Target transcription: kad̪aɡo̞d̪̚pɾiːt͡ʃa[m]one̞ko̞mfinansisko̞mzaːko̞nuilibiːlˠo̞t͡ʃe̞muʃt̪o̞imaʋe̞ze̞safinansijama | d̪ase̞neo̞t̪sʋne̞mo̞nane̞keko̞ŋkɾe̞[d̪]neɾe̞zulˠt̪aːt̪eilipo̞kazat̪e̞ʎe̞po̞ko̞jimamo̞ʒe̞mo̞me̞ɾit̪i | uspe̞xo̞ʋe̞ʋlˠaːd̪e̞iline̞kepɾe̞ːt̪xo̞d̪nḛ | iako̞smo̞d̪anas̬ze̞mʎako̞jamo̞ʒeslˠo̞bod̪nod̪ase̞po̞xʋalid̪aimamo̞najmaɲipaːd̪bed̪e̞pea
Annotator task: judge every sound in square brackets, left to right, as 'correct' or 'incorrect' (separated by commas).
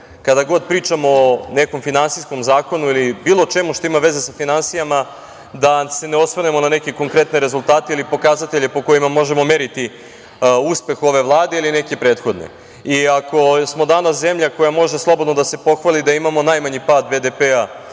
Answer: correct, incorrect